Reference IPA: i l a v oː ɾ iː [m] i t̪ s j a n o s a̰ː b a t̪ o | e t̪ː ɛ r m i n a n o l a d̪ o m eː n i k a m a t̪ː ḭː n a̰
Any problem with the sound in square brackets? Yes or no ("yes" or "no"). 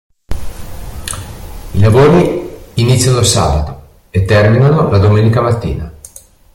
yes